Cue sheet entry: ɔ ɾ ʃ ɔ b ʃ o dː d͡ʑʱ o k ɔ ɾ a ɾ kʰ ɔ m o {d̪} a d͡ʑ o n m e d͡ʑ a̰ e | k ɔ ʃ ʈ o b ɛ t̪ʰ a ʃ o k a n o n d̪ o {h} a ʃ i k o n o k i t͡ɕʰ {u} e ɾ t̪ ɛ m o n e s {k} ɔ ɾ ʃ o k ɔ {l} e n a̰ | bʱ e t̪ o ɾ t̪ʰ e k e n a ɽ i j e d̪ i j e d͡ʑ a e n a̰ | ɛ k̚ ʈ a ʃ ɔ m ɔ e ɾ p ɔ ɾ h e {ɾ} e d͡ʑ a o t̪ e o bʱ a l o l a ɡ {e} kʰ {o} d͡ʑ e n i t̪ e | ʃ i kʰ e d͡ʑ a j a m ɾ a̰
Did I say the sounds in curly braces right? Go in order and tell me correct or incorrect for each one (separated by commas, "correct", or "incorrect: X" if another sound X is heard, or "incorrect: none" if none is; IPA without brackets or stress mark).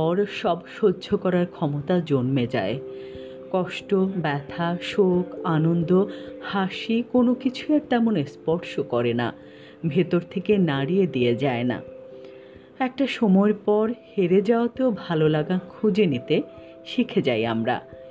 incorrect: t̪, correct, correct, incorrect: p, incorrect: ɾ, correct, incorrect: a, incorrect: u